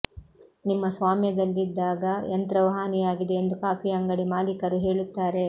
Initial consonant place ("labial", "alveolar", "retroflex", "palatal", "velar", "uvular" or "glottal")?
alveolar